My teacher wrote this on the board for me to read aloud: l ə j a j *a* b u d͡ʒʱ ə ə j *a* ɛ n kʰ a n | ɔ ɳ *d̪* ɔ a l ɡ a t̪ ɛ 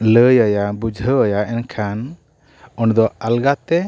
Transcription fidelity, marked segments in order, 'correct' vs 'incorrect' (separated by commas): correct, correct, correct